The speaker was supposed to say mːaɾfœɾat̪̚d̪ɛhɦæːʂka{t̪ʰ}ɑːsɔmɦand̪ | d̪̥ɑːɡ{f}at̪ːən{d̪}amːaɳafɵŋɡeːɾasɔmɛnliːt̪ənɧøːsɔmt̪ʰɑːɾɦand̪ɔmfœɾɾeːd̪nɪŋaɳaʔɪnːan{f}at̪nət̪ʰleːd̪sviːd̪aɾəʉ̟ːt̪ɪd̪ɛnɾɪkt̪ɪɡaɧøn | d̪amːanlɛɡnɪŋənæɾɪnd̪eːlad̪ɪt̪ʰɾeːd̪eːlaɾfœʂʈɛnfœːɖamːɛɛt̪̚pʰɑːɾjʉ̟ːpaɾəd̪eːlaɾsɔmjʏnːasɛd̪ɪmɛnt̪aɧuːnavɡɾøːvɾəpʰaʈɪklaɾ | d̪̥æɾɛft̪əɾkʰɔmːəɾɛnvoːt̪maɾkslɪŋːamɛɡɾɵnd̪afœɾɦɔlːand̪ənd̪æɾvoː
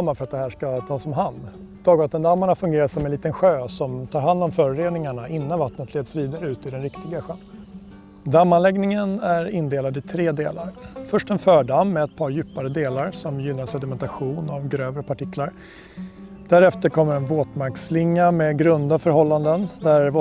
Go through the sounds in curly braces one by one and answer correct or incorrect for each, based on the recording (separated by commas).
correct, incorrect, correct, incorrect